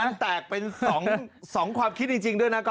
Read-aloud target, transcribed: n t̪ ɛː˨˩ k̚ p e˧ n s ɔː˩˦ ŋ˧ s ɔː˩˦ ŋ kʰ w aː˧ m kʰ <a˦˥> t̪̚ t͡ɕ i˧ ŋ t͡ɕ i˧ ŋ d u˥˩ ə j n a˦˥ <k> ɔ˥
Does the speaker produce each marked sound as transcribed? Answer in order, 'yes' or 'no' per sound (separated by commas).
no, yes